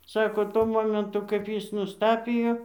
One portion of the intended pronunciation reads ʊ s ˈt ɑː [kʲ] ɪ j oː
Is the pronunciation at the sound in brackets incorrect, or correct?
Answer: incorrect